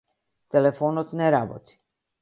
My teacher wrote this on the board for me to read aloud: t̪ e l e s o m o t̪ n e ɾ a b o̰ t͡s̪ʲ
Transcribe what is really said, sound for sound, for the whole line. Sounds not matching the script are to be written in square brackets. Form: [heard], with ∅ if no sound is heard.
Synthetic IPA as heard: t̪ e l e [f] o [n] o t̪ n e ɾ a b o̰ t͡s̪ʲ